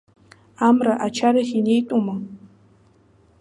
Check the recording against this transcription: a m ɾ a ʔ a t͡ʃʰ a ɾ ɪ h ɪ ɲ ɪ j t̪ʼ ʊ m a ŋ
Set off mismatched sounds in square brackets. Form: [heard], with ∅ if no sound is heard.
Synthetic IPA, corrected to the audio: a m ɾ a ʔ a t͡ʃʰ a ɾ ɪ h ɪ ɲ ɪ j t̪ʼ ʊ m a ŋ